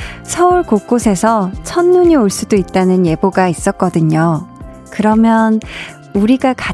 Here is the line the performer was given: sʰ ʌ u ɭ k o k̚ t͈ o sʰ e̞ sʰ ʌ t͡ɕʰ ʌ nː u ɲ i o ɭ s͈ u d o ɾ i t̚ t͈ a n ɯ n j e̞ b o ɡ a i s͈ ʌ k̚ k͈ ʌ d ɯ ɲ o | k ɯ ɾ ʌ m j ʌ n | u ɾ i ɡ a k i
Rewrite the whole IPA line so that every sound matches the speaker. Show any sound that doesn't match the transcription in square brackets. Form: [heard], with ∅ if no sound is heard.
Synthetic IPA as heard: sʰ ʌ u ɭ k o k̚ [k͈] o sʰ e̞ sʰ ʌ t͡ɕʰ ʌ nː u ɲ i o ɭ s͈ u d o [∅] i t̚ t͈ a n ɯ n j e̞ b o ɡ a i s͈ ʌ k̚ k͈ ʌ d ɯ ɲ o | k ɯ ɾ ʌ m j ʌ n | u ɾ i ɡ a k [a]